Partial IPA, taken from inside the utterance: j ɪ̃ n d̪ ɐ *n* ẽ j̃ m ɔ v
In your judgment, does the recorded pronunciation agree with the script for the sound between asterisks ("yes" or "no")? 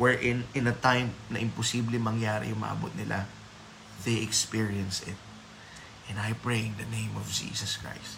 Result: yes